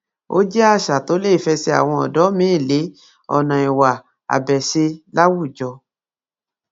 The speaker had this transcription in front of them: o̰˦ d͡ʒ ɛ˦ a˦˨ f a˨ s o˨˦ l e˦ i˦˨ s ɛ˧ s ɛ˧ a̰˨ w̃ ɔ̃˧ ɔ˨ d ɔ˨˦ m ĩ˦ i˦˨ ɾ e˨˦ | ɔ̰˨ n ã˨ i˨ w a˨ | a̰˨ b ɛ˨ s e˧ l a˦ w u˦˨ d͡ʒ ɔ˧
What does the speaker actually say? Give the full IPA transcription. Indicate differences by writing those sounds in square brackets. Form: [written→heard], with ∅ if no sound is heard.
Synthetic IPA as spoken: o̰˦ d͡ʒ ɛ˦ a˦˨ [f→ʃ] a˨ [s→t] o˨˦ l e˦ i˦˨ [s→f] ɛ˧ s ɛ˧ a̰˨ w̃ ɔ̃˧ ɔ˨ d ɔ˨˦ m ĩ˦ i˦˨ [ɾ→l] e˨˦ | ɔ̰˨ n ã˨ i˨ w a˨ | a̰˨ b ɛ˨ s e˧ l a˦ w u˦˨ d͡ʒ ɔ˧